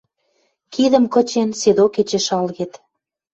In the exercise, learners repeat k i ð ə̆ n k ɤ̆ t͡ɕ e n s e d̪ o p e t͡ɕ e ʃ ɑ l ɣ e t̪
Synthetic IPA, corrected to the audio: k i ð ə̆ m k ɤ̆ t͡ɕ e n s e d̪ o k e t͡ɕ e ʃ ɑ l ɣ e t̪